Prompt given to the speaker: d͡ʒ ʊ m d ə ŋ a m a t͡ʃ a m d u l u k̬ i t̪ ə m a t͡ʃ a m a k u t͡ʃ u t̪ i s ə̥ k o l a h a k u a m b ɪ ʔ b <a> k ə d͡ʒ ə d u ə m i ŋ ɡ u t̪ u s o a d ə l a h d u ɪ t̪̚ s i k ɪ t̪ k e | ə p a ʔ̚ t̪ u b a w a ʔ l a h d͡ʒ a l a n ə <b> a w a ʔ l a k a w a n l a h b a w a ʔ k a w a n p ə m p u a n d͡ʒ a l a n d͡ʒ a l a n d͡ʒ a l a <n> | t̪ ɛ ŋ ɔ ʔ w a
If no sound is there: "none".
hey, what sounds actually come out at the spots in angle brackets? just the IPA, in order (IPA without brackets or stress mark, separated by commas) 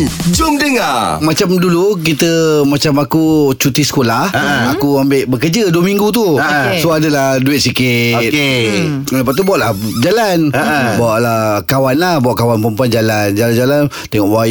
ə, b, n